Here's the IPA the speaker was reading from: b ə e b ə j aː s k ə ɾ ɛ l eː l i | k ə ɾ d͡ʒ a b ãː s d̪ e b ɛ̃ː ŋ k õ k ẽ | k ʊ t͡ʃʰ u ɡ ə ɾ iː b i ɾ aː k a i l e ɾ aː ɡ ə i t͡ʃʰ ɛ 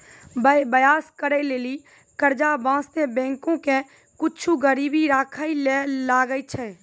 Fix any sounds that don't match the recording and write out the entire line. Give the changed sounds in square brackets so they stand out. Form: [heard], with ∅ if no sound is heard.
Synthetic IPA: b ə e b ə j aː s k ə ɾ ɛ l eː l i | k ə ɾ d͡ʒ a b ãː s [t̪] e b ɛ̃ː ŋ k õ k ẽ | k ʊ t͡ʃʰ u ɡ ə ɾ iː b i ɾ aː [kʰ] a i l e [l] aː ɡ ə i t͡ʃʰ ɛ